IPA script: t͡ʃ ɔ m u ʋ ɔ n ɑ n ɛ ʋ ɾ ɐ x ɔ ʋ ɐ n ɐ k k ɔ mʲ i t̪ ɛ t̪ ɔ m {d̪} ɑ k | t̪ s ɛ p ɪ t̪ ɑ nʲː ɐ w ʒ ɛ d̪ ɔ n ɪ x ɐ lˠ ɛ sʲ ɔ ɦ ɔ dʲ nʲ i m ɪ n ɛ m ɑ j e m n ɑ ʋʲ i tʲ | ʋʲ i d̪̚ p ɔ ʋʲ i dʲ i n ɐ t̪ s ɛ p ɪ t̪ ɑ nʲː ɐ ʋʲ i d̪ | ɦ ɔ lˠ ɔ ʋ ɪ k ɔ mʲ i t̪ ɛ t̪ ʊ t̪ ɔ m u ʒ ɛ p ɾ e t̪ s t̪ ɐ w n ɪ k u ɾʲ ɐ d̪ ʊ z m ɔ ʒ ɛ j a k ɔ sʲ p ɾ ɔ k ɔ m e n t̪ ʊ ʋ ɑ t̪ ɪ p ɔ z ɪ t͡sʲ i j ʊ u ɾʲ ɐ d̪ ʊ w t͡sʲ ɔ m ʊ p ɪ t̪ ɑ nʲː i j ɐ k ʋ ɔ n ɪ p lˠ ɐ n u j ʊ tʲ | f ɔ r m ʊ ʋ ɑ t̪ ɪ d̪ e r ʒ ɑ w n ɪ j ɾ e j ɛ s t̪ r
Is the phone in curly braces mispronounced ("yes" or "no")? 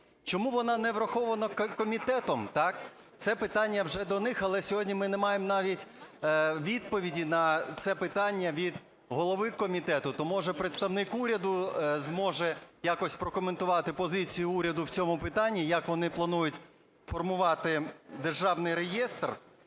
yes